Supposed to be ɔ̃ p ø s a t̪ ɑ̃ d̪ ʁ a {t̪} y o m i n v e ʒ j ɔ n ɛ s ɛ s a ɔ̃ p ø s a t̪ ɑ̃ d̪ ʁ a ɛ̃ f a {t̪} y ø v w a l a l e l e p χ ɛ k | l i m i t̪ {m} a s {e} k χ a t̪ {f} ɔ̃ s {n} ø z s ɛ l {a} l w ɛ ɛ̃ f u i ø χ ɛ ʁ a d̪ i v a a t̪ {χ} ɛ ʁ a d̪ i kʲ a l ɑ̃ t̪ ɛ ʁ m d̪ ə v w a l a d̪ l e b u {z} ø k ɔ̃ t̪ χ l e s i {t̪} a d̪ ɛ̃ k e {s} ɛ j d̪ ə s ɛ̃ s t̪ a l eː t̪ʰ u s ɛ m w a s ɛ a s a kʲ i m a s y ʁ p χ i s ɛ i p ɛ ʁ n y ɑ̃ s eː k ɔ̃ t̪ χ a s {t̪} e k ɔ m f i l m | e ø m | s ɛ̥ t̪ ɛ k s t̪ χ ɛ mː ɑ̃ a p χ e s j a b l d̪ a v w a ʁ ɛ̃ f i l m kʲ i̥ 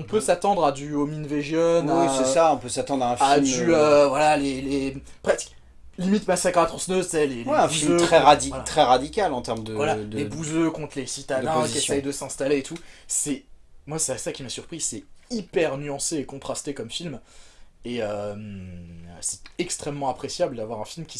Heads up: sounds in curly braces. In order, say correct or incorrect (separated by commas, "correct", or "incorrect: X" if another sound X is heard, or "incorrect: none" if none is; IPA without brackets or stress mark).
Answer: incorrect: d̪, incorrect: d̪, correct, incorrect: a, incorrect: χ, correct, incorrect: e, correct, correct, correct, correct, correct